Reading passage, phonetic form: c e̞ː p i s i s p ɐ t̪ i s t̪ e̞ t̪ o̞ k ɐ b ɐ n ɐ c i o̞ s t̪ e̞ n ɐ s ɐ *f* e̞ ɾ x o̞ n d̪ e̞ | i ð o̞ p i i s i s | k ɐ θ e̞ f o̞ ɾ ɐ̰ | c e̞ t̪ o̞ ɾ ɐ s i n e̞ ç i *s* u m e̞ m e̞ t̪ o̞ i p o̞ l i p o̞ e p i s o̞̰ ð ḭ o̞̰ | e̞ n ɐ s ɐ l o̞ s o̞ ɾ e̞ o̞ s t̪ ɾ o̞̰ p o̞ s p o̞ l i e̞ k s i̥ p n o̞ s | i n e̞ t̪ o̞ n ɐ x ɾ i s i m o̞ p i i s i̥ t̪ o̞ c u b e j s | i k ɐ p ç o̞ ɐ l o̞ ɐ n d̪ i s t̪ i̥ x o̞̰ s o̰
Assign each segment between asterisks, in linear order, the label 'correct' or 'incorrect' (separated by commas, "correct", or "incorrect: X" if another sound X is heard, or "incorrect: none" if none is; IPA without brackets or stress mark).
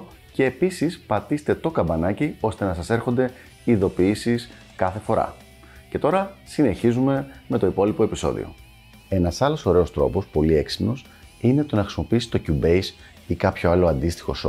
incorrect: s, incorrect: z